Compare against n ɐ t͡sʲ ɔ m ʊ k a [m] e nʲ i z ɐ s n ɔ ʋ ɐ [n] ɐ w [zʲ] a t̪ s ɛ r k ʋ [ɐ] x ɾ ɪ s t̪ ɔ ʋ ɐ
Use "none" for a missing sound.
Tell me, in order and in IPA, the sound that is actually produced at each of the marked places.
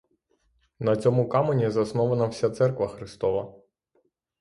m, n, sʲ, ɐ

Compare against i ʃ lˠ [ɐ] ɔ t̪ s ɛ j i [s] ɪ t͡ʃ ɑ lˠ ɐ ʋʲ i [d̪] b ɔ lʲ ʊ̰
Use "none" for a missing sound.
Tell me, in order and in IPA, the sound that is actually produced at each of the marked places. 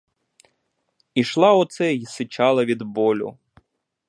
ɑ, s, d̪

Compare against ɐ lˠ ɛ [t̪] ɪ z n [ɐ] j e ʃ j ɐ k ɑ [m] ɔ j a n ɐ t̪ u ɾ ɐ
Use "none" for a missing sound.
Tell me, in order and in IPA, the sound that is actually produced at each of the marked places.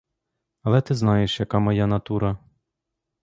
t̪, ɑ, m

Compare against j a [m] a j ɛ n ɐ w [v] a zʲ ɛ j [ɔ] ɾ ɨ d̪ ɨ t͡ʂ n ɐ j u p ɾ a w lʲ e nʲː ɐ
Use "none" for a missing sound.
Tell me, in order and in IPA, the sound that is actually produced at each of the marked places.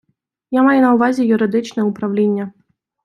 m, v, u

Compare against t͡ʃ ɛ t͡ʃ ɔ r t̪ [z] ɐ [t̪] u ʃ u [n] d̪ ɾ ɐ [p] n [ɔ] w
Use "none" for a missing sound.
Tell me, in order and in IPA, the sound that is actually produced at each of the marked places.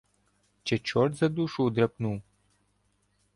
z, d̪, none, p, u

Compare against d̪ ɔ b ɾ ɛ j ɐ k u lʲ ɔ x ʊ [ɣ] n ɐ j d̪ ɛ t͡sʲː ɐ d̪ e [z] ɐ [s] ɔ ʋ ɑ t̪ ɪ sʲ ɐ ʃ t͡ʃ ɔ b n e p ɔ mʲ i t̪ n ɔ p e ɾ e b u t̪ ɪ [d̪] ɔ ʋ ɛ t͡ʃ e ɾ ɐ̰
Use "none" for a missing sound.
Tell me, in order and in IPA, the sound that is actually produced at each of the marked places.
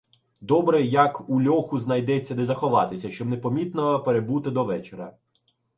z, z, x, d̪

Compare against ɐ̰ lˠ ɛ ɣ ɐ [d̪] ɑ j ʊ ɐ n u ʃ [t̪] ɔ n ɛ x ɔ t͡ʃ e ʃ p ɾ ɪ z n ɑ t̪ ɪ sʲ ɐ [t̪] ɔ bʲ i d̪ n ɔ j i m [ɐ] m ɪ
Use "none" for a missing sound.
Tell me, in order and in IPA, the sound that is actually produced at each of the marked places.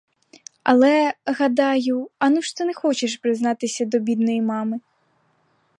d̪, t̪, d̪, ɑ

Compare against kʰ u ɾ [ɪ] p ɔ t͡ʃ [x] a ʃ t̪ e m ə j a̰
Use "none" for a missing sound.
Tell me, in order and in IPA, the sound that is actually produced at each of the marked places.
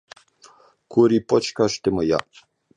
i, k

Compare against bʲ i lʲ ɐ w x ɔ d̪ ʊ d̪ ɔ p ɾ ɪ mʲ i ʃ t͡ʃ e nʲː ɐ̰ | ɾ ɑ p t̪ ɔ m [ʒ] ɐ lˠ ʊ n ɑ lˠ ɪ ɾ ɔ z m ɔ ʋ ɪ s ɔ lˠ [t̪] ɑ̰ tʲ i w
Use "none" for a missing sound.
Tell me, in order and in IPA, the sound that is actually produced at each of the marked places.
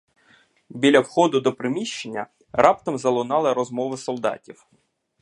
z, d̪

